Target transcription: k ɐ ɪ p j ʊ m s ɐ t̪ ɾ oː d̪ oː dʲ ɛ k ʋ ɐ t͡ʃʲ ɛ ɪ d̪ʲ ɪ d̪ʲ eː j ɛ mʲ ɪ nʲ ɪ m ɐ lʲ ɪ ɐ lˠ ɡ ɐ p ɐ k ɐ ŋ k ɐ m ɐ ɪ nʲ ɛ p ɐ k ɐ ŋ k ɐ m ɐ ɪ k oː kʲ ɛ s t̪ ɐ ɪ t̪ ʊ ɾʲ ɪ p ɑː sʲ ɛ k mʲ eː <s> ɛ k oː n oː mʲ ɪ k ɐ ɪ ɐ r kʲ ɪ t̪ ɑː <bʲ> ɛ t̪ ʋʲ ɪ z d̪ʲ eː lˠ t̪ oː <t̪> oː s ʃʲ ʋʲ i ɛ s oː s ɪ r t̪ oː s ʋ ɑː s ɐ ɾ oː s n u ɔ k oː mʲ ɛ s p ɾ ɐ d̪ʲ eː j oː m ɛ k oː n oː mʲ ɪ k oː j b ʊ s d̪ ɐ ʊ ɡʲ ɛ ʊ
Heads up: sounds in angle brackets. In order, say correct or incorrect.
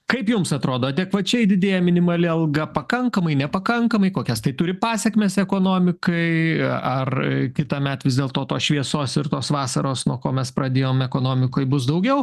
correct, incorrect: mʲ, correct

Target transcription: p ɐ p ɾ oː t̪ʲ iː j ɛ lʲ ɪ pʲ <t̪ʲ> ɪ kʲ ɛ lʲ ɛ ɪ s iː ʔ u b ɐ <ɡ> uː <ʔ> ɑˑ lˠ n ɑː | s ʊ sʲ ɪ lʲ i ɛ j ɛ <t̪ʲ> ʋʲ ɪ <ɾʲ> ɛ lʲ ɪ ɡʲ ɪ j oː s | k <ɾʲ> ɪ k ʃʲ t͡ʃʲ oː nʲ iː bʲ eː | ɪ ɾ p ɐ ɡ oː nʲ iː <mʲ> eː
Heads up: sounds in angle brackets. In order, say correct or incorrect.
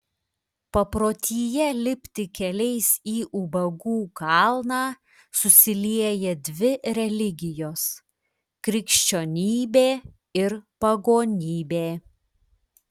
correct, correct, incorrect: k, incorrect: d̪ʲ, correct, correct, incorrect: bʲ

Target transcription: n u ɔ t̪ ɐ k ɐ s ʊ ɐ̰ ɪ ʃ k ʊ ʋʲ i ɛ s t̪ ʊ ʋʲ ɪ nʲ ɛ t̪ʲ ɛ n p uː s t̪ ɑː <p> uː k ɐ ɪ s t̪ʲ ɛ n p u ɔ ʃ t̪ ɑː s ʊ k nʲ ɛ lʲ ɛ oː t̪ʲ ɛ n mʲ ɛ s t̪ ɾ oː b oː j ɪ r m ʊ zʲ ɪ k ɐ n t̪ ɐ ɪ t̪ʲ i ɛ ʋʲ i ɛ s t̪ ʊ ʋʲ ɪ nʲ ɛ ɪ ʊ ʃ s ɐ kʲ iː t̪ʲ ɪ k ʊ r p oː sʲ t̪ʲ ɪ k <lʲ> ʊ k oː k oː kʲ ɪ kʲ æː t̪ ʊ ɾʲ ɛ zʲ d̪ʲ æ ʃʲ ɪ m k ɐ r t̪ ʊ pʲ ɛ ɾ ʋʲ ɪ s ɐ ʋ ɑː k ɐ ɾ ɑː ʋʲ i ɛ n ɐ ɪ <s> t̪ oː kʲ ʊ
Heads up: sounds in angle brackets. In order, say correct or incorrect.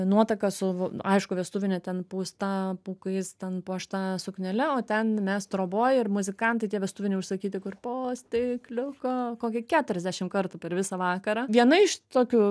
correct, correct, incorrect: ʃ

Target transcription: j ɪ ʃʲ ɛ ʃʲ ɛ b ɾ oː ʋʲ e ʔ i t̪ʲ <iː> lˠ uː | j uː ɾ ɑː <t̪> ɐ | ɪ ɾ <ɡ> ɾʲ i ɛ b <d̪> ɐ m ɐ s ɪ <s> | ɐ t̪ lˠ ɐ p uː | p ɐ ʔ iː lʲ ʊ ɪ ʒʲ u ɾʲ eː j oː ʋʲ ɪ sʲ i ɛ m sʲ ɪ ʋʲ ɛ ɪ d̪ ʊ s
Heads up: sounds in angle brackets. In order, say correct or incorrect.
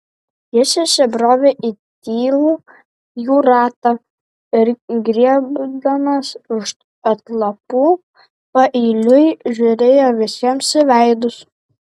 correct, correct, correct, correct, incorrect: ʃ

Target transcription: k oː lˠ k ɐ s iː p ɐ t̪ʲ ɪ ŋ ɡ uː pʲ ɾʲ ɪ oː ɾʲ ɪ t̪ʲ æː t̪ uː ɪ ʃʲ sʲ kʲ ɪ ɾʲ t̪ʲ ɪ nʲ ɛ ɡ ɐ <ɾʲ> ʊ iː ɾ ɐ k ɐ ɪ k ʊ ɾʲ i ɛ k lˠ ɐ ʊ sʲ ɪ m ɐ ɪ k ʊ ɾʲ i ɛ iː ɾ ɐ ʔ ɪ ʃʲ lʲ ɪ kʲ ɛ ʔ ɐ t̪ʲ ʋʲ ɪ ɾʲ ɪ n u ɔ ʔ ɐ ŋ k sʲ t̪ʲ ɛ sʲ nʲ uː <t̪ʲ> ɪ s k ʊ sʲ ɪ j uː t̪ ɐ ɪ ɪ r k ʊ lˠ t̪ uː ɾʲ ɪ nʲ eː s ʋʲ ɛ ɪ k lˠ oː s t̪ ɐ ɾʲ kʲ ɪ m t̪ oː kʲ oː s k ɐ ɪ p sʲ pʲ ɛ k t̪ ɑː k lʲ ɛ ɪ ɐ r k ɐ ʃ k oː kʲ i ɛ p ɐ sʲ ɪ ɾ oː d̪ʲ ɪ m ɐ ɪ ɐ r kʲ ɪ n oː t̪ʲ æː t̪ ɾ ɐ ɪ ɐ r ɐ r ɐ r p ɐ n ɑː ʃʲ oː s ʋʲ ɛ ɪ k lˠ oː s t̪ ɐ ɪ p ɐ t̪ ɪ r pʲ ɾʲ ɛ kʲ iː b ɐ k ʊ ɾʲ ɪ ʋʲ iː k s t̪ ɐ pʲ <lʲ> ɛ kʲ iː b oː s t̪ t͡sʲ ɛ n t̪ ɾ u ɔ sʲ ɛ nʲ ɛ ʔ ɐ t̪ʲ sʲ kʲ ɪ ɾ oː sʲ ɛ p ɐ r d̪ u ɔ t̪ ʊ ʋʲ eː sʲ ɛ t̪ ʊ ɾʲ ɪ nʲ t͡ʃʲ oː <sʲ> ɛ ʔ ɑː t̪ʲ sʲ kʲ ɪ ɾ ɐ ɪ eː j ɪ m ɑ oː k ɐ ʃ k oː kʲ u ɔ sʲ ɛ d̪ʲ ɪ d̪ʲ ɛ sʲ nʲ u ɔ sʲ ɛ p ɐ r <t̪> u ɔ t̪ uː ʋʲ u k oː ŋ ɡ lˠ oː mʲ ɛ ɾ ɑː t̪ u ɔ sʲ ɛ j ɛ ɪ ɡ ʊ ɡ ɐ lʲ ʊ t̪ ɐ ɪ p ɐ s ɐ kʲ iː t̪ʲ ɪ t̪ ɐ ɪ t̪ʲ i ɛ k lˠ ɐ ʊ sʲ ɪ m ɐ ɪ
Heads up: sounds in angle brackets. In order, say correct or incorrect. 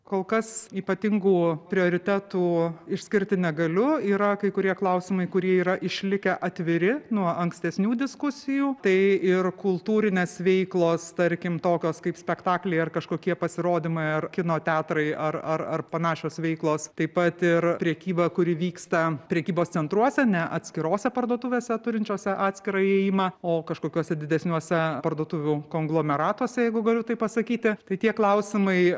incorrect: lʲ, incorrect: d̪ʲ, incorrect: ɾʲ, correct, incorrect: d̪

